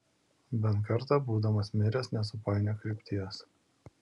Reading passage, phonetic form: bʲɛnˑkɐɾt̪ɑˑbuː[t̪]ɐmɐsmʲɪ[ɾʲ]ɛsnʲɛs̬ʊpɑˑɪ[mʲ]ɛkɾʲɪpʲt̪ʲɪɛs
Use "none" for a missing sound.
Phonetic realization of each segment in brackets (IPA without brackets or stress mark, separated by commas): d̪, ɾʲ, nʲ